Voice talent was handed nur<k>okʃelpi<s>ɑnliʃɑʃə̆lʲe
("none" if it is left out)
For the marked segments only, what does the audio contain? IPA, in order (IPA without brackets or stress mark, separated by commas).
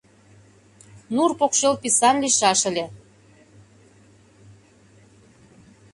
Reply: p, s